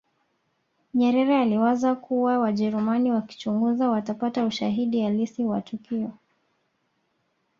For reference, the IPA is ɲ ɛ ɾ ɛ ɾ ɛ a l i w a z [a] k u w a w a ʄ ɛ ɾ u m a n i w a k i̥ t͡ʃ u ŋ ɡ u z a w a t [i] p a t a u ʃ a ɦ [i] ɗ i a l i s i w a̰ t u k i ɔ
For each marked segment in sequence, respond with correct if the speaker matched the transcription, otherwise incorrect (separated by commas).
correct, incorrect, correct